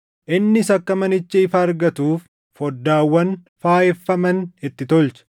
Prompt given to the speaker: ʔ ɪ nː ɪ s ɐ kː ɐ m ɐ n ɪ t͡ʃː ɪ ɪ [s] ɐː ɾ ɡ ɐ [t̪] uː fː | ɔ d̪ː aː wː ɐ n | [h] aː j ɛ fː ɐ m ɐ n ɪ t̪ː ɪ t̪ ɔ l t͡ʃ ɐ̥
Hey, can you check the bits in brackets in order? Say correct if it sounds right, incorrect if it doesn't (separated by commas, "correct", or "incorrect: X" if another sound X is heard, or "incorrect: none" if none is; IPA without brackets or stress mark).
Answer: incorrect: f, correct, incorrect: f